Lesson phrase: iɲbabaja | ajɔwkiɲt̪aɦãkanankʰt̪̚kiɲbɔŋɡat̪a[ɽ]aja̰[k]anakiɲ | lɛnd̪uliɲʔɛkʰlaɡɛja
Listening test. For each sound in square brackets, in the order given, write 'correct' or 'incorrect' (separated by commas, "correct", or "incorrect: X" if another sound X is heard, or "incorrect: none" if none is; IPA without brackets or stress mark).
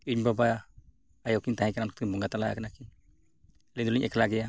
incorrect: l, correct